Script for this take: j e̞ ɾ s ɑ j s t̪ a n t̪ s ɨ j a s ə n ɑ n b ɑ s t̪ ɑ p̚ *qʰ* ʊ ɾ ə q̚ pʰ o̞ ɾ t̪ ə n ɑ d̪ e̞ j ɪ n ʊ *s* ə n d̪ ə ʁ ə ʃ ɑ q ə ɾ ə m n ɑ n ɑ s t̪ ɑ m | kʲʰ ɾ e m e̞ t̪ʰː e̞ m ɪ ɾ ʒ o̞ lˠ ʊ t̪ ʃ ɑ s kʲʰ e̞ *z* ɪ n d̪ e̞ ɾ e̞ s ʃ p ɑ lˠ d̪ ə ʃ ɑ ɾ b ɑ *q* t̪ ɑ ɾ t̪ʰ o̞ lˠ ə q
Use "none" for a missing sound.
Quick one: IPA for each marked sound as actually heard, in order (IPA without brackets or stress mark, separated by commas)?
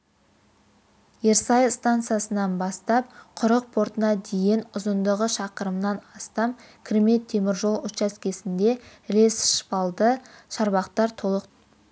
qʰ, z, s, q